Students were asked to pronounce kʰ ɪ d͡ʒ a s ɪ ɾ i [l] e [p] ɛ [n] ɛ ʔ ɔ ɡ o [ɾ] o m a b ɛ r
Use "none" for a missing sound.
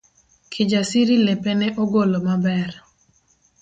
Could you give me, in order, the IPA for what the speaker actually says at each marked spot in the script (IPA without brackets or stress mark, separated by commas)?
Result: l, p, n, l